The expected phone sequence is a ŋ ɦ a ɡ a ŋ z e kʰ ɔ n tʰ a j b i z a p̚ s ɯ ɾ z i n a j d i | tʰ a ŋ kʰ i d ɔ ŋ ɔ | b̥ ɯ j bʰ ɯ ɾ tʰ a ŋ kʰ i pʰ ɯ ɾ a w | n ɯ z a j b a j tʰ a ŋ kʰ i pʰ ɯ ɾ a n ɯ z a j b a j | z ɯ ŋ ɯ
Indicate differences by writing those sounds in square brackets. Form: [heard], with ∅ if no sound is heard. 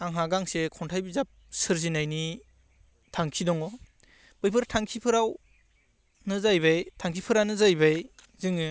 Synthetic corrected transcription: a ŋ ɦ a ɡ a ŋ [s] e kʰ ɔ n tʰ a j b i z a p̚ s ɯ ɾ z i n a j [n] i | tʰ a ŋ kʰ i d ɔ ŋ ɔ | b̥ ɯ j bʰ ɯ ɾ tʰ a ŋ kʰ i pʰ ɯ ɾ a w | n ɯ z a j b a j tʰ a ŋ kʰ i pʰ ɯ ɾ a n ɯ z a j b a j | z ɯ ŋ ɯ